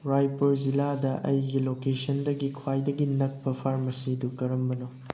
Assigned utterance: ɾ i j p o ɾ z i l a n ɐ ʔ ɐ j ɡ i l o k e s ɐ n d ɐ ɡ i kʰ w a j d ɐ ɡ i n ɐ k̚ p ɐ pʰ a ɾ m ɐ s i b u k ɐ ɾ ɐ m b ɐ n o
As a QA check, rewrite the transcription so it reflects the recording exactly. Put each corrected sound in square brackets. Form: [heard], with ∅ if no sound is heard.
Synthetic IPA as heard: ɾ [a] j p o ɾ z i l a [d] ɐ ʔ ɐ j ɡ i l o k e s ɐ n d ɐ ɡ i kʰ w a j d ɐ ɡ i n ɐ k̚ p ɐ pʰ a ɾ m ɐ s i [d] u k ɐ ɾ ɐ m b ɐ n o